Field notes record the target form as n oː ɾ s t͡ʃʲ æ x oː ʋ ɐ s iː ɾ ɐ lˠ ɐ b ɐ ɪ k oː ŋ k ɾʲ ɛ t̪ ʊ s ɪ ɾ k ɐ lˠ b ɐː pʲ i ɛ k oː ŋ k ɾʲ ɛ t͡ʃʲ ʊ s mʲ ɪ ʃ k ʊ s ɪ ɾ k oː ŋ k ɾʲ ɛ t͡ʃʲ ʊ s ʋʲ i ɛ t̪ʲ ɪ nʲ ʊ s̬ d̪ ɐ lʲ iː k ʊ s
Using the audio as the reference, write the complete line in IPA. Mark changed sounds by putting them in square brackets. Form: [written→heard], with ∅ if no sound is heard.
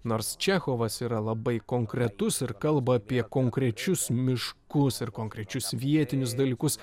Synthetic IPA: n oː ɾ s t͡ʃʲ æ x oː ʋ ɐ s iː ɾ ɐ lˠ ɐ b ɐ ɪ k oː ŋ k ɾʲ ɛ t̪ ʊ s ɪ ɾ k ɐ lˠ b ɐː pʲ i ɛ k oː ŋ k ɾʲ ɛ t͡ʃʲ ʊ s mʲ ɪ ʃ k ʊ s ɪ ɾ k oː ŋ k ɾʲ ɛ t͡ʃʲ ʊ s ʋʲ i ɛ t̪ʲ ɪ nʲ ʊ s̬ d̪ ɐ lʲ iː k ʊ s